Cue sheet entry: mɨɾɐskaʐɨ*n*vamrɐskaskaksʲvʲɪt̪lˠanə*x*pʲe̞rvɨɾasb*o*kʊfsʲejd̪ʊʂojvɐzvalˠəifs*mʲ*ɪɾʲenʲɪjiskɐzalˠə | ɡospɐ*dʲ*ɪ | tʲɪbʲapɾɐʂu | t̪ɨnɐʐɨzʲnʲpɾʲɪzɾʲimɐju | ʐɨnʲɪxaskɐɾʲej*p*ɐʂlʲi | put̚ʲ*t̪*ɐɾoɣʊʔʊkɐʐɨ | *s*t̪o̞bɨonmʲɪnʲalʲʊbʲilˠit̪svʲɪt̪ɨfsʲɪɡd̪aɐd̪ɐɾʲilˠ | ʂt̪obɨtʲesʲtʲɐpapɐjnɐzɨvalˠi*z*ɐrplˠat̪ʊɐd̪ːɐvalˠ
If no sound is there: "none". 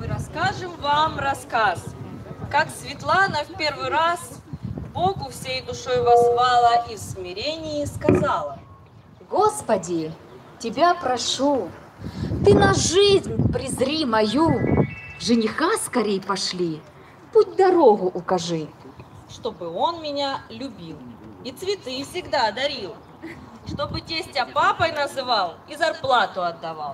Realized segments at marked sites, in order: m, f, o, mʲ, dʲ, p, d̪, ʂ, z

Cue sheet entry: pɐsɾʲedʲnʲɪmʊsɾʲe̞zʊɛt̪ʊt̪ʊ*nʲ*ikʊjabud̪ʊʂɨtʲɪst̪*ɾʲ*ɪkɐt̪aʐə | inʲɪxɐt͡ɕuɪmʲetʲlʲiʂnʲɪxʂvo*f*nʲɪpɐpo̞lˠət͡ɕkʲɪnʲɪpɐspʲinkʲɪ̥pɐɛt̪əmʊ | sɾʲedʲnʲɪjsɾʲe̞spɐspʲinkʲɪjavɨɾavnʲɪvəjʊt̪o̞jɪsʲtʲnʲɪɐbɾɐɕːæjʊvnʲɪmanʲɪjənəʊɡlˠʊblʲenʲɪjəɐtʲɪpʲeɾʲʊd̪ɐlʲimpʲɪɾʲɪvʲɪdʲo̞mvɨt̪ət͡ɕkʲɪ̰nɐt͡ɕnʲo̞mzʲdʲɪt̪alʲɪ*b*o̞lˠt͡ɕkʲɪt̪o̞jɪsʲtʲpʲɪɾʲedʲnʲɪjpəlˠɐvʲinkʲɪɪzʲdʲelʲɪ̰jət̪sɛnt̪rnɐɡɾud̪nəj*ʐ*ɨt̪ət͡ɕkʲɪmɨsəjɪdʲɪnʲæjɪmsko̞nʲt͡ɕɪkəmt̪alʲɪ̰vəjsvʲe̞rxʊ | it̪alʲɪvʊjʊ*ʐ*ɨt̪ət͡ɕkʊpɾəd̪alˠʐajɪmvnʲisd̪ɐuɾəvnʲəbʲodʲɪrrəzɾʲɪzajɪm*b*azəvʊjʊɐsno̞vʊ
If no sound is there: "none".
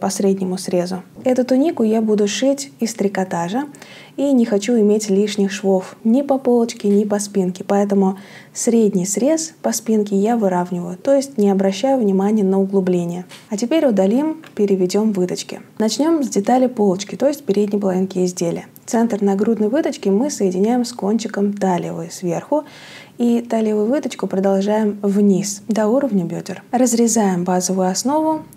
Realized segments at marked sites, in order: nʲ, ɾʲ, f, p, v, v, b

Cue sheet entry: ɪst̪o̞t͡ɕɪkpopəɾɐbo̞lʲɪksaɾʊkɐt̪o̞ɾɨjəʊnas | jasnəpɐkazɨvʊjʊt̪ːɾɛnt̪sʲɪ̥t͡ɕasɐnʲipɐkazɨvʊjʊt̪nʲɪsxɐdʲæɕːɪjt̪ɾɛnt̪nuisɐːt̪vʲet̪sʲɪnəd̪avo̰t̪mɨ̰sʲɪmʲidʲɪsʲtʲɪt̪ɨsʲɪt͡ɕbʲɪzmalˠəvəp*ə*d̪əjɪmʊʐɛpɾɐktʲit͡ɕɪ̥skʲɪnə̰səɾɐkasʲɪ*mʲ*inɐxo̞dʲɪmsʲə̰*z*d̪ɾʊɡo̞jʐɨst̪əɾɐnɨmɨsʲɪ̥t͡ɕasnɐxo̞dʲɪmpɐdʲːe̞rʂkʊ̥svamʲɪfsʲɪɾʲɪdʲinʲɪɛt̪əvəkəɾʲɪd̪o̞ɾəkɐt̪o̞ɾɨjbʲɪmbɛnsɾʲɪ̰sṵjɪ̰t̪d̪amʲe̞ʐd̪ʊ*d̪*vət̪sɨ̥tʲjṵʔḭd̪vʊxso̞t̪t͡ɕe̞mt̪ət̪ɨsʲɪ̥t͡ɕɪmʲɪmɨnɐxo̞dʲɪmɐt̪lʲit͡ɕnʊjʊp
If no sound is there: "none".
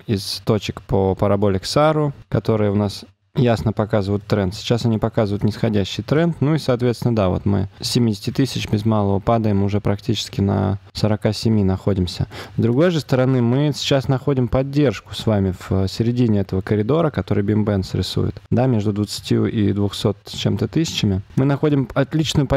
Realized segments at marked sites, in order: a, mʲ, z, d̪

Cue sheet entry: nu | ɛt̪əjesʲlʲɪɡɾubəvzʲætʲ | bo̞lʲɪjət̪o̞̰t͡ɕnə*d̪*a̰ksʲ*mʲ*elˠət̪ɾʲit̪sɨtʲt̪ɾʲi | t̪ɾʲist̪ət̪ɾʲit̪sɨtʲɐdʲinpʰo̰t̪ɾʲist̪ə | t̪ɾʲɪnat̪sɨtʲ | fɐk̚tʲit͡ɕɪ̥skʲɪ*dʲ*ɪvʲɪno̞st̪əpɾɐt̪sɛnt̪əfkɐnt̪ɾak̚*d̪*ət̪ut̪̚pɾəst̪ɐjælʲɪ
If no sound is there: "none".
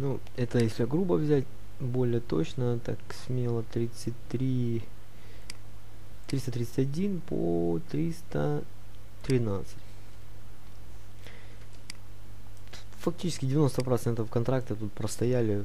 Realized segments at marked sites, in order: t̪, mʲ, dʲ, t̪

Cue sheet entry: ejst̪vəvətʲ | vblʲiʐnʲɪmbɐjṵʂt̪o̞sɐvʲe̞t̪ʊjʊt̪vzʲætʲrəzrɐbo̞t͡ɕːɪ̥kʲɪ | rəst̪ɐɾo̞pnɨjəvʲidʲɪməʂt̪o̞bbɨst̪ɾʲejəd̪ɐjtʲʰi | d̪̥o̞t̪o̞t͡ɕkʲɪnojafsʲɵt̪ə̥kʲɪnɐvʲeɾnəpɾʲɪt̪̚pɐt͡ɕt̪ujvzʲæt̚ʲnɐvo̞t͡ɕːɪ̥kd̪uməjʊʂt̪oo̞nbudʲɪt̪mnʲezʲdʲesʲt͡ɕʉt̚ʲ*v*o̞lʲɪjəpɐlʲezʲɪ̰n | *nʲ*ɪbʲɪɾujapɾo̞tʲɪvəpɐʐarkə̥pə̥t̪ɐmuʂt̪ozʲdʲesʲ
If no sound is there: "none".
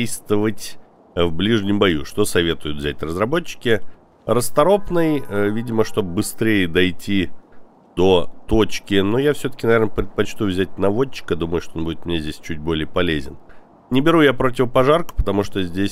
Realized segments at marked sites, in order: b, nʲ

